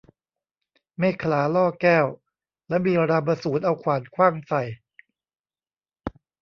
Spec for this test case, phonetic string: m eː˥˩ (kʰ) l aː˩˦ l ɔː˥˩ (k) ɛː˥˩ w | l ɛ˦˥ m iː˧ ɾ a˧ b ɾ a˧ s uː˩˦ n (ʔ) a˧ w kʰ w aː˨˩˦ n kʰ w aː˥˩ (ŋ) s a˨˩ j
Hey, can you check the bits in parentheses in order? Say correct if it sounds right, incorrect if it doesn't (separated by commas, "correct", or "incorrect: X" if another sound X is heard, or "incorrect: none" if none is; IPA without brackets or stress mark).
correct, correct, correct, correct